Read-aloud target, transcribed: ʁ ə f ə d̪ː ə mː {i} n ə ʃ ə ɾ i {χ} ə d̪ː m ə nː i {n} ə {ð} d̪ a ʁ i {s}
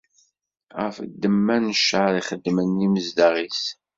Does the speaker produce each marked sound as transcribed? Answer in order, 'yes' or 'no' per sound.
no, yes, no, no, yes

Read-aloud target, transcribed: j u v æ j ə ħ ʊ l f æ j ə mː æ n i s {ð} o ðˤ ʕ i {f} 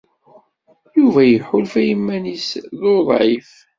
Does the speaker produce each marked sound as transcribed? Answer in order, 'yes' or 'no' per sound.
yes, yes

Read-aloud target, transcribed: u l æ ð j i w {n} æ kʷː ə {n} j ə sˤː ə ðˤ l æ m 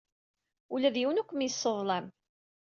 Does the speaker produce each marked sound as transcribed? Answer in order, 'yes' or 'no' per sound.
yes, no

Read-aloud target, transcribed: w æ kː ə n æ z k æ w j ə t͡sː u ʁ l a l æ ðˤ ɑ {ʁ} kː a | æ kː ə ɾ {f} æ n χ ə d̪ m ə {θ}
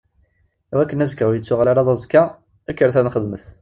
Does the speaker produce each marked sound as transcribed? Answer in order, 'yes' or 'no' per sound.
no, no, yes

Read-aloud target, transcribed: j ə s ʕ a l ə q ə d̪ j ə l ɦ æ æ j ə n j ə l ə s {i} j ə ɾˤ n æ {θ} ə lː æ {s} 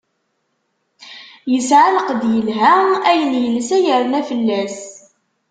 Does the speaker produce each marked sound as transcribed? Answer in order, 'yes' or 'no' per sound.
no, no, yes

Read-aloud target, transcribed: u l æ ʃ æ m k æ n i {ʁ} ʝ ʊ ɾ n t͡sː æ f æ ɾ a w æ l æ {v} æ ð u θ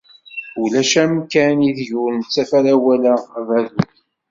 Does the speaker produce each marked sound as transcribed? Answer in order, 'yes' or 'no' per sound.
no, yes

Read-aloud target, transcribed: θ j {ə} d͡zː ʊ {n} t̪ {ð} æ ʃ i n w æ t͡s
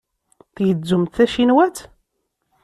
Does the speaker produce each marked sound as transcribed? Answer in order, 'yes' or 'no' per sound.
yes, no, no

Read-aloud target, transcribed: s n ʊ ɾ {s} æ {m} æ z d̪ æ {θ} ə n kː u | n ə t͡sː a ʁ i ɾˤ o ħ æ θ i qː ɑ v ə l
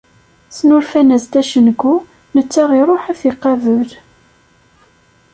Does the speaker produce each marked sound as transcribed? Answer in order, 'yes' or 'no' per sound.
no, no, no

